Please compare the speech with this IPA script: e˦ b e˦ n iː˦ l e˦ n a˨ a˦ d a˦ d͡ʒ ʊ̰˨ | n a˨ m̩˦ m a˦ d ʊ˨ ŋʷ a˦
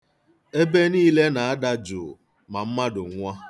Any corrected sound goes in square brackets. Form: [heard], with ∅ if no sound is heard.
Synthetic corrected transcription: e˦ b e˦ n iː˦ l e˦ n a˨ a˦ d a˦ d͡ʒ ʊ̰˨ | [m] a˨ m̩˦ m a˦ d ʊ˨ ŋʷ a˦